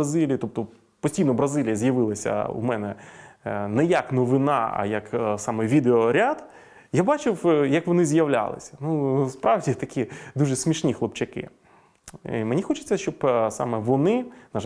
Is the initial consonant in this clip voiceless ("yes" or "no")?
no